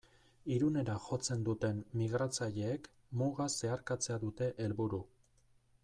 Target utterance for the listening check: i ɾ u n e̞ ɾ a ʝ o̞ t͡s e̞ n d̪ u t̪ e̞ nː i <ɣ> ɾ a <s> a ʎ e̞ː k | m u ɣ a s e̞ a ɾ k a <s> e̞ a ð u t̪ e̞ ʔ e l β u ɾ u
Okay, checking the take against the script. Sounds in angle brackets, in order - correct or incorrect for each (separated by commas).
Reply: correct, incorrect, incorrect